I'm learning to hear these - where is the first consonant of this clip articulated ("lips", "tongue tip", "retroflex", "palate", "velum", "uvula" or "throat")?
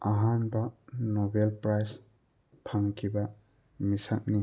throat